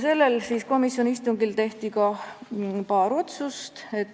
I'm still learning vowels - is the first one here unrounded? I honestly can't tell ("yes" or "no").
yes